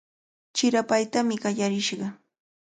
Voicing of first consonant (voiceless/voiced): voiceless